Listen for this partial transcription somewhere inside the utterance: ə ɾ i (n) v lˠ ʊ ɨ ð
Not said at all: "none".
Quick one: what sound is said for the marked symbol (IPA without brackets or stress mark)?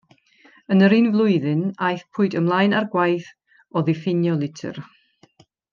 n